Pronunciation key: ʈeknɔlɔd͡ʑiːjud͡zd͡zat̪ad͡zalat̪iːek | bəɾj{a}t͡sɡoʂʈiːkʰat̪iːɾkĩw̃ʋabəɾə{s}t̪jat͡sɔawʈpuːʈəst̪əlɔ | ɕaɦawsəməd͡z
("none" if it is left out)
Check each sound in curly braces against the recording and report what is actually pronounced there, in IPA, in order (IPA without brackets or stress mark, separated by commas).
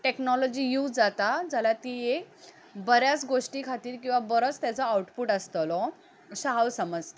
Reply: a, t͡s